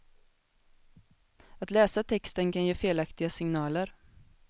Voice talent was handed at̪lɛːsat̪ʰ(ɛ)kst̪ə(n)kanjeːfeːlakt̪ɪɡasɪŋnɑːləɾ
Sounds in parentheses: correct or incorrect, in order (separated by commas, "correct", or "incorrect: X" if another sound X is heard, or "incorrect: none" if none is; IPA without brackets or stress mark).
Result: correct, correct